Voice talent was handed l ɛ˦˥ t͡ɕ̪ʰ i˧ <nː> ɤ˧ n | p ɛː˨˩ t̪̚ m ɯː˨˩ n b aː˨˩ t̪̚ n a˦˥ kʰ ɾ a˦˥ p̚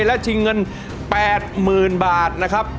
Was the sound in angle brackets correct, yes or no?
no